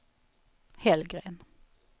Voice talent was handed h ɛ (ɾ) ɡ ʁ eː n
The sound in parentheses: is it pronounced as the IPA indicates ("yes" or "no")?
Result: no